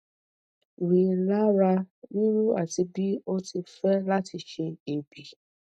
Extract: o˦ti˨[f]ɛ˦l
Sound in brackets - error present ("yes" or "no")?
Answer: no